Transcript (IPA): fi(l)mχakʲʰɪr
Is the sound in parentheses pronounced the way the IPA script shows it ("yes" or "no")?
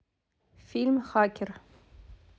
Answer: yes